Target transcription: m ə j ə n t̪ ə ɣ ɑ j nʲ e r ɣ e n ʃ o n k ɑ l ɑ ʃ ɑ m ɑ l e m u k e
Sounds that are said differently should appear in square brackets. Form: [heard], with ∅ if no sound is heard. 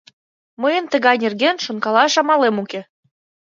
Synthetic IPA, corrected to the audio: m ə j ə n t̪ ə ɣ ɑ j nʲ e r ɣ e n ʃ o n k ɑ l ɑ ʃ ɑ m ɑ l e m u k e